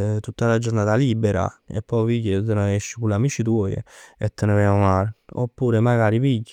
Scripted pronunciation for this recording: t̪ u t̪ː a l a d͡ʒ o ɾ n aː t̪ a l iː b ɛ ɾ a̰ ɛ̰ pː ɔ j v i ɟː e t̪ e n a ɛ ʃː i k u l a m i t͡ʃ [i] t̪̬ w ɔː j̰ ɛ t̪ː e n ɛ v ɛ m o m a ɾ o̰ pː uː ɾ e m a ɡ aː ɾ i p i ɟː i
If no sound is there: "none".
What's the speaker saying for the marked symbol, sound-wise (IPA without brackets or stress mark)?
i